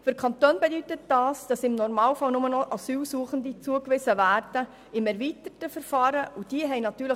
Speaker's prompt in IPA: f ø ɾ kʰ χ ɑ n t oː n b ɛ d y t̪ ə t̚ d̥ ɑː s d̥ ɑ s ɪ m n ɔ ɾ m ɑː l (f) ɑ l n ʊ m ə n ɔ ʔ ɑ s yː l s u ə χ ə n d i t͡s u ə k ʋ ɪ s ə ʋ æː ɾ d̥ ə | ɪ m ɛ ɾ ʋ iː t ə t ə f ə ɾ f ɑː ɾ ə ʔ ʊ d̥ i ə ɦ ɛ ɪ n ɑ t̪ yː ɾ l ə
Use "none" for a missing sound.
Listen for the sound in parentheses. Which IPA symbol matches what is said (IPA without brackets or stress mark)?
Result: f